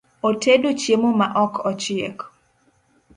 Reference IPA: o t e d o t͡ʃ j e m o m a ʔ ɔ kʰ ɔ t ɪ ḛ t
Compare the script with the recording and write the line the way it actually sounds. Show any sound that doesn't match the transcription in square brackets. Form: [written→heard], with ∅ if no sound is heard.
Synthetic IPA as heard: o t e d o t͡ʃ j e m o m a ʔ ɔ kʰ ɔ [t→t͡ʃ] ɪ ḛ [t→k]

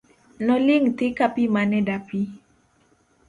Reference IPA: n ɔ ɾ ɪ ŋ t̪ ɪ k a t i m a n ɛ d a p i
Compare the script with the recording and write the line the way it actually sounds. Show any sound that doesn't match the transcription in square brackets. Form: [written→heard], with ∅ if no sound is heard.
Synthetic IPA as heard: n ɔ [ɾ→l] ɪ ŋ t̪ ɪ k a [t→p] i m a n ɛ d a p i

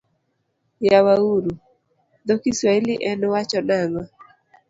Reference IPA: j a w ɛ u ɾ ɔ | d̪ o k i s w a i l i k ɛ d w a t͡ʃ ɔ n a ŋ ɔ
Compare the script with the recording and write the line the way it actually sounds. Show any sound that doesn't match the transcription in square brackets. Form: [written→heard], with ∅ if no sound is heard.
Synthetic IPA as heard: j a w [ɛ→a] u ɾ [ɔ→u] | d̪ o k i s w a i l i [k→ʔ] ɛ [d→n] w a t͡ʃ ɔ n a ŋ ɔ

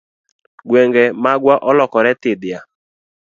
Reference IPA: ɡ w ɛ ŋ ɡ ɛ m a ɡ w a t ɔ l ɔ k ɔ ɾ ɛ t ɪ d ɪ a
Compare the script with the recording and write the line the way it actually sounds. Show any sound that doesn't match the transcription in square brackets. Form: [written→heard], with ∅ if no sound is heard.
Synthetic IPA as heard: ɡ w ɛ ŋ ɡ ɛ m a ɡ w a [t→ʔ] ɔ l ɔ k ɔ ɾ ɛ t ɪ d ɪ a

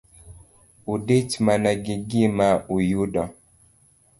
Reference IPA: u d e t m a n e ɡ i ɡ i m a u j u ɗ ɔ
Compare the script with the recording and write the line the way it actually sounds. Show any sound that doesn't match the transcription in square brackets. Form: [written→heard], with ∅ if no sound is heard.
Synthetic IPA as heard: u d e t m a n [e→a] ɡ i ɡ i m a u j u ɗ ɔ

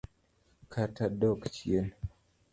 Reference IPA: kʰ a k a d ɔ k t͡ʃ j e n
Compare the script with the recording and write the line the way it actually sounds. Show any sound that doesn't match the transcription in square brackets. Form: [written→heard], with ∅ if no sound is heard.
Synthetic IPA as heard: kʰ a [k→t] a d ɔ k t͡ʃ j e n

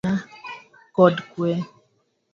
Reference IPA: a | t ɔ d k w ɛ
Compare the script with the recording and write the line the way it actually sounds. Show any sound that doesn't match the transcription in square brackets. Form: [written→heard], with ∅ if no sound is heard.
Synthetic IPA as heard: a | [t→k] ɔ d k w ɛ

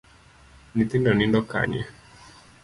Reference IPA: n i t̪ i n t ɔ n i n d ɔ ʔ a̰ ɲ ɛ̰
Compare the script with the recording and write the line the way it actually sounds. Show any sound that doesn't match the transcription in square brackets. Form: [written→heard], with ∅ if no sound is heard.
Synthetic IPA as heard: n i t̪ i n [t→d] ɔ n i n d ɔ [ʔ→k] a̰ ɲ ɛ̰

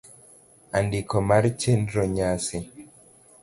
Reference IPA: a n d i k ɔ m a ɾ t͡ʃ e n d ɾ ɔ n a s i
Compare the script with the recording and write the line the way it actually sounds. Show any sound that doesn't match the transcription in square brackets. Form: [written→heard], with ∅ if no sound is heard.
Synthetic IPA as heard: a n d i k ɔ m a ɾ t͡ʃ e n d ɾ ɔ [n→ɲ] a s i

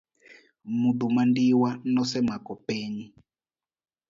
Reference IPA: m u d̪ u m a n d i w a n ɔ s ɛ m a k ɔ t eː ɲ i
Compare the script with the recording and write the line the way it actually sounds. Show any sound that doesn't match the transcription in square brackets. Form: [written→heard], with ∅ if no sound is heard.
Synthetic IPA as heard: m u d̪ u m a n d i w a n ɔ s ɛ m a k ɔ [t→p] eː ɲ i

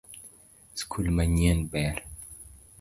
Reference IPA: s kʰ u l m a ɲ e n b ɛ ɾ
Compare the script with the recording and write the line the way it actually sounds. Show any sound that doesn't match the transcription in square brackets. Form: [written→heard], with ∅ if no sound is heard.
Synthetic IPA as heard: s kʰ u l m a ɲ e n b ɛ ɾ

